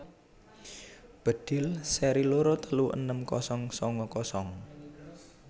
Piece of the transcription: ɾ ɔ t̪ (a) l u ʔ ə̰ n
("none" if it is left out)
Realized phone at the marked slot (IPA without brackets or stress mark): ə